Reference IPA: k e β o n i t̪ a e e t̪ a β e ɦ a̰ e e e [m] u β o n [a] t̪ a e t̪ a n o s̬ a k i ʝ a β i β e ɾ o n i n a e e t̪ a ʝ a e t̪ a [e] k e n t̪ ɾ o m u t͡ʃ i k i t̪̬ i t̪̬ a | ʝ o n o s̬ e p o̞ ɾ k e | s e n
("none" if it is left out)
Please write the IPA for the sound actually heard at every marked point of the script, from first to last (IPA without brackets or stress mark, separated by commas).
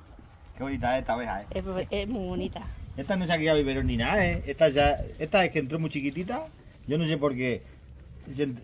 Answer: m, i, e